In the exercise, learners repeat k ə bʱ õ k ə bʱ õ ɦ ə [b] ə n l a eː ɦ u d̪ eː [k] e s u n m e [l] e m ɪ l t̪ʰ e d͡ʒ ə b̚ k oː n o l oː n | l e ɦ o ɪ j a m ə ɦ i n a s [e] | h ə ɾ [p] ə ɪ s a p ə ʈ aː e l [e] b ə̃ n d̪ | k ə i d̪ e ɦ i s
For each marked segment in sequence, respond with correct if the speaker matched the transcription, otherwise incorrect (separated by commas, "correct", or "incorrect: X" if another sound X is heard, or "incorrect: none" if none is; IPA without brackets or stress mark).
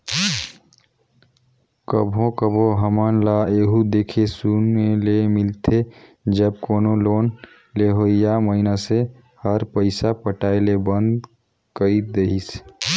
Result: incorrect: m, incorrect: kʰ, correct, correct, correct, correct